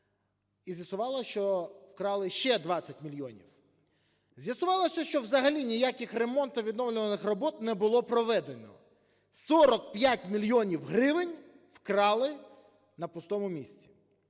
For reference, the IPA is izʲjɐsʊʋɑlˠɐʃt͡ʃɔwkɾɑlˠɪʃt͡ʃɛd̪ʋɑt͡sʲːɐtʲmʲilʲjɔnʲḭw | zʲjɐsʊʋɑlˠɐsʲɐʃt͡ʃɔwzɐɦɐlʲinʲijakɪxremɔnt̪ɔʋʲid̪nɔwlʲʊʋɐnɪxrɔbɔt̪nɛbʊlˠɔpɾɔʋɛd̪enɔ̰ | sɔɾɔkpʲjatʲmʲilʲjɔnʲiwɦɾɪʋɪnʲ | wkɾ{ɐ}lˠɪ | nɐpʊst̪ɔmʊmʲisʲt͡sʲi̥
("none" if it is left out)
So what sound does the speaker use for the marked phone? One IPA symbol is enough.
ɑ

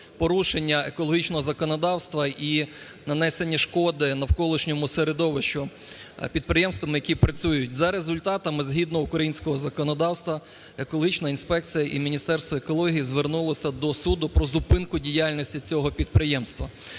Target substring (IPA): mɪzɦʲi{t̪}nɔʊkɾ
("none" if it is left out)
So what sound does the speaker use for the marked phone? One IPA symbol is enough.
d̪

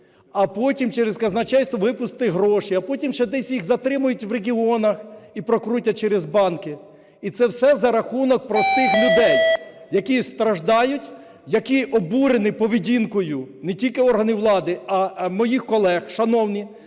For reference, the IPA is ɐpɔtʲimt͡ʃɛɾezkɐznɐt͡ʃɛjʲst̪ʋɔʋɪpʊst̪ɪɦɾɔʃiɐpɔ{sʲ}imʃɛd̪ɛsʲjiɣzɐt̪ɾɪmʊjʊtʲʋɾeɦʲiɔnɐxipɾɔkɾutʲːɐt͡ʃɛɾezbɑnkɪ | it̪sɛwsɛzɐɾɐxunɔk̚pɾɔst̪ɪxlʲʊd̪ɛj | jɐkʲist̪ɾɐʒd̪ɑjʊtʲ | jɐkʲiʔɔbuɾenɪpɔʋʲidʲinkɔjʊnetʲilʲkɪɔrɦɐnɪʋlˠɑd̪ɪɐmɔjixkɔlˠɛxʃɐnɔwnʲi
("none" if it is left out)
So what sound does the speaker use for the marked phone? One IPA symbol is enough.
tʲ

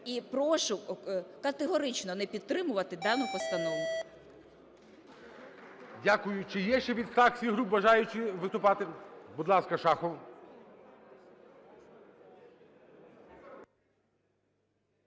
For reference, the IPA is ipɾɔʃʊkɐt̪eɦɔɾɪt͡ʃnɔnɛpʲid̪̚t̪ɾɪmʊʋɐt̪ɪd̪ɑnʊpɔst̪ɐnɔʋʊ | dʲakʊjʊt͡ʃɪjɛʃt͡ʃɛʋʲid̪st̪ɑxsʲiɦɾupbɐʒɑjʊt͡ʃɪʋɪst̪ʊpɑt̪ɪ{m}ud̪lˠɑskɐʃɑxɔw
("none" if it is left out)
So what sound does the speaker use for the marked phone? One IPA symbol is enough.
b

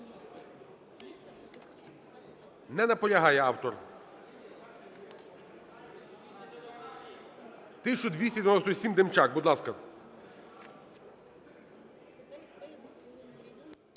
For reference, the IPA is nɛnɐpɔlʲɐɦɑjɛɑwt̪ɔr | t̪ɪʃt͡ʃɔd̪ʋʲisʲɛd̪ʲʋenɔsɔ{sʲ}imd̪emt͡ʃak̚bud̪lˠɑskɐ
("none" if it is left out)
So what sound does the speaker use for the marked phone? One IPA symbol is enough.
sʲ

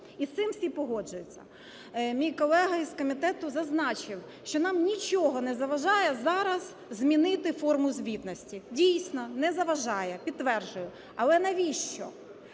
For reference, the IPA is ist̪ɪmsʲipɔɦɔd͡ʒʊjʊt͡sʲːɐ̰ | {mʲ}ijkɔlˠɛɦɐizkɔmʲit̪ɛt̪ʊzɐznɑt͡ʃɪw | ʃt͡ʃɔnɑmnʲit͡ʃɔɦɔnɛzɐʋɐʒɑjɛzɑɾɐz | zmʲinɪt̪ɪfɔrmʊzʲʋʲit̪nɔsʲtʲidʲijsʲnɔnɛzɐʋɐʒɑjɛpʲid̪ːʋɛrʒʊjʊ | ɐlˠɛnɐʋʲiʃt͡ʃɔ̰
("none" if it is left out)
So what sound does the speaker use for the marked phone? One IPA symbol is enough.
mʲ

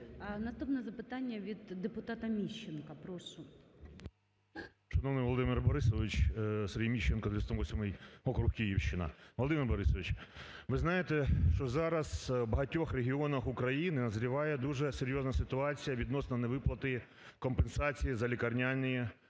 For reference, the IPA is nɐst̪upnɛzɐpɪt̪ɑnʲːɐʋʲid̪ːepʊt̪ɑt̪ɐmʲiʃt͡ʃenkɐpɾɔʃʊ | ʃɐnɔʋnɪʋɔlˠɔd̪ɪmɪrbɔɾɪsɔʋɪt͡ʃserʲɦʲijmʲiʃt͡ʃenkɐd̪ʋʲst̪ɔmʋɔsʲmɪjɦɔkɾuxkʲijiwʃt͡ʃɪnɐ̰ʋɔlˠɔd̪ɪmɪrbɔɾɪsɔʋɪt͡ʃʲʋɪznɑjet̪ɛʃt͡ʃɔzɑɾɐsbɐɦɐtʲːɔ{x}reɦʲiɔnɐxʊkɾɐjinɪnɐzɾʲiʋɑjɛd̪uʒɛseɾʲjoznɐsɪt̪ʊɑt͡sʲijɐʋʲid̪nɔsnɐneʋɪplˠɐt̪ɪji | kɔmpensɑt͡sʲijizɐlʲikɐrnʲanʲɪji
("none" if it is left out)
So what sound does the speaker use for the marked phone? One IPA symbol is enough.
x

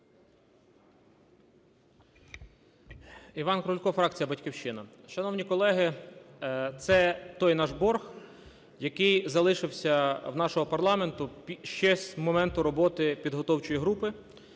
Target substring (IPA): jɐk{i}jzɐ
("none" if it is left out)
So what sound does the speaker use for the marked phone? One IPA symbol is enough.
ɪ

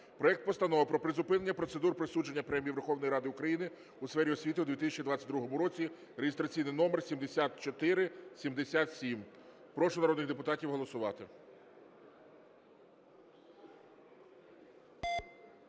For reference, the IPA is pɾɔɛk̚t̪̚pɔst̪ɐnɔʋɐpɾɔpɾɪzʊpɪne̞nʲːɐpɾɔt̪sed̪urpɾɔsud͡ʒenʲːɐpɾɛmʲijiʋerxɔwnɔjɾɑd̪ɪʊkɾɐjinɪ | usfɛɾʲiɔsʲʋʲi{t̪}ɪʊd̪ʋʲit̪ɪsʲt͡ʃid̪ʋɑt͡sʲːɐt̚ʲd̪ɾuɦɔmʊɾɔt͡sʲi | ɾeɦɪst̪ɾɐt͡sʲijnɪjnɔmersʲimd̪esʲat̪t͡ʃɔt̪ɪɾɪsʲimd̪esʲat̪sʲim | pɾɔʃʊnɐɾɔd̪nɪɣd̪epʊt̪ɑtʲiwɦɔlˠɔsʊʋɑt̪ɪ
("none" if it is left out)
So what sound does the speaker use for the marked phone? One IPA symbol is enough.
t̪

